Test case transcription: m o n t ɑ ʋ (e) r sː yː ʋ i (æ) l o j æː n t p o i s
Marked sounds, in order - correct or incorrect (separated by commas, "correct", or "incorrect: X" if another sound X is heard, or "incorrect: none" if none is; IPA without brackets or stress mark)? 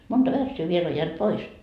incorrect: æ, incorrect: e